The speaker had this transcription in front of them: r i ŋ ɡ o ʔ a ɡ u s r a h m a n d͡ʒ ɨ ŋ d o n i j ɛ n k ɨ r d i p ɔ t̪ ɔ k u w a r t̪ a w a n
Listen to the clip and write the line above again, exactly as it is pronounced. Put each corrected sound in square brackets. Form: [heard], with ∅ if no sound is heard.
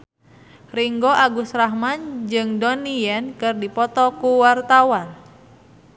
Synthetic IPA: r i ŋ ɡ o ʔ a ɡ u s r a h m a n d͡ʒ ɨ ŋ d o n i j ɛ n k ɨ r d i p ɔ t̪ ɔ k u w a r t̪ a w a n

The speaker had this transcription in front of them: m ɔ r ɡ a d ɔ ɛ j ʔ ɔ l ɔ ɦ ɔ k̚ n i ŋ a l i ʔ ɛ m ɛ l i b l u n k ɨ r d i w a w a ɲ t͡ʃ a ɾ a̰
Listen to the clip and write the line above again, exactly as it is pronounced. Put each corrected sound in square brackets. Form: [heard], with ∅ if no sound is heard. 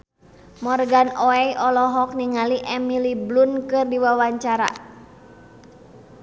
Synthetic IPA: m ɔ r ɡ a [n] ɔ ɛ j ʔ ɔ l ɔ ɦ ɔ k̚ n i ŋ a l i ʔ ɛ m [i] l i b l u n k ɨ r d i w a w a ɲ t͡ʃ a ɾ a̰

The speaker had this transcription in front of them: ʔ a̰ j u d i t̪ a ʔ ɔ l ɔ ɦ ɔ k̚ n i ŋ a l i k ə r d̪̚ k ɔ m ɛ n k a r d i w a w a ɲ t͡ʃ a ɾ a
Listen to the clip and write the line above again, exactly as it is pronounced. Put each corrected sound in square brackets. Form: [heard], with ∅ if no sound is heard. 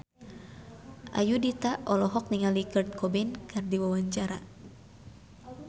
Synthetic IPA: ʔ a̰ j u d i t̪ a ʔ ɔ l ɔ ɦ ɔ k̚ n i ŋ a l i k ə r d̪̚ k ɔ [b] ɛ n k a r d i w a w a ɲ t͡ʃ a ɾ a

